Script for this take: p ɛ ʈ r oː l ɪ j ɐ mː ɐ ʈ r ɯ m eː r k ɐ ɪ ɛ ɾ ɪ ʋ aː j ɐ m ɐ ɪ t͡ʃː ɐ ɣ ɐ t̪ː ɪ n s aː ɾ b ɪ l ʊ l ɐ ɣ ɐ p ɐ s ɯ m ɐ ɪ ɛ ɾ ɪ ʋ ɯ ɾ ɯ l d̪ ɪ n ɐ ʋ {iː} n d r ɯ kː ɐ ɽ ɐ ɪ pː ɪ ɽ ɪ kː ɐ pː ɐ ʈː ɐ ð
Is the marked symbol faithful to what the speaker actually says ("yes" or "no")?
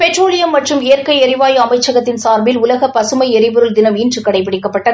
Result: yes